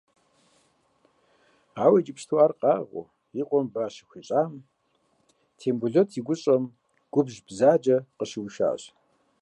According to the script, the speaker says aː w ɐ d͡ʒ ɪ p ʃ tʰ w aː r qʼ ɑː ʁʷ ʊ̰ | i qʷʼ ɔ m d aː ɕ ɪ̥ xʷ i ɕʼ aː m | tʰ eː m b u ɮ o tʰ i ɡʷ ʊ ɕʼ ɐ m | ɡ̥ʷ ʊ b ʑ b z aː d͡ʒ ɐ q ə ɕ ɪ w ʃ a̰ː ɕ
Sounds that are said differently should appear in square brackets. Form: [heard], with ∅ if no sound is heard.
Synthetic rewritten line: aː w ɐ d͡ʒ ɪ p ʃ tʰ w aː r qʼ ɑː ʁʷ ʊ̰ | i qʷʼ ɔ m [b] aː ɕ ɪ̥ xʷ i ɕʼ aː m | tʰ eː m b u ɮ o tʰ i ɡʷ ʊ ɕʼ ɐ m | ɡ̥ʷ ʊ b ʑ b z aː d͡ʒ ɐ q ə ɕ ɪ w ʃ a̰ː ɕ